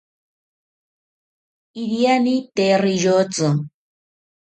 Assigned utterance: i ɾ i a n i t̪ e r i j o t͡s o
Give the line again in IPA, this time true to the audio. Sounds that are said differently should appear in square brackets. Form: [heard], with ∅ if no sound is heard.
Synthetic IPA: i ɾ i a n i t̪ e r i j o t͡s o